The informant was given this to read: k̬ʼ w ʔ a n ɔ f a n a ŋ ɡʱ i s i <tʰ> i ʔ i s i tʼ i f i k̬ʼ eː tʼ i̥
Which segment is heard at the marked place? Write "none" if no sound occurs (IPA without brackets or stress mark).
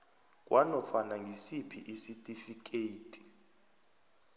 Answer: pʰ